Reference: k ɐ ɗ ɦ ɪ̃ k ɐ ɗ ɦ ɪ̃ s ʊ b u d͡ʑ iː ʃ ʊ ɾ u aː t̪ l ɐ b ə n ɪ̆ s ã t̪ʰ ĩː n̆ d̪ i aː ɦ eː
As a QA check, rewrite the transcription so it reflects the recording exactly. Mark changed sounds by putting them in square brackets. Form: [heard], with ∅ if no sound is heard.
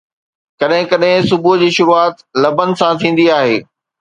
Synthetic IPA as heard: k ɐ ɗ ɦ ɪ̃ k ɐ ɗ ɦ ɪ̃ s ʊ b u d͡ʑ iː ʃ ʊ ɾ u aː t̪ l ɐ b ə n ɪ̆ s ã t̪ʰ ĩː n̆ d̪ i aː ɦ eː